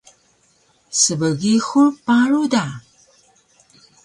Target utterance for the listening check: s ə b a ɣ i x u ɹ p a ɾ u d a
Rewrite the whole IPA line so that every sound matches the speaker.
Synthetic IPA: s ə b ə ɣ i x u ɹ p a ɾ u d a